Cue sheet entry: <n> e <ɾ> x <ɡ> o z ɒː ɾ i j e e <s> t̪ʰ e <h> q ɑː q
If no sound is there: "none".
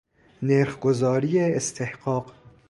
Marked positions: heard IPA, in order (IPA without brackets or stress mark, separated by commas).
n, ɾ, ɡ, s, h